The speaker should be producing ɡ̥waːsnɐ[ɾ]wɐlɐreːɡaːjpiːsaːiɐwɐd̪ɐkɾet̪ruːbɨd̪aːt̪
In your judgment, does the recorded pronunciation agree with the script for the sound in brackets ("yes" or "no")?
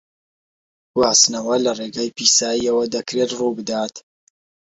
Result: no